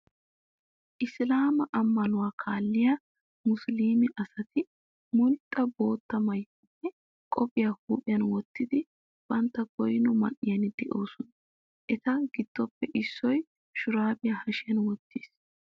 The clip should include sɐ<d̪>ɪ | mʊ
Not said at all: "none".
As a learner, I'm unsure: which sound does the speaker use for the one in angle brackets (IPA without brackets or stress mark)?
t̪